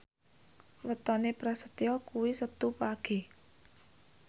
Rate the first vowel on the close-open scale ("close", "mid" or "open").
mid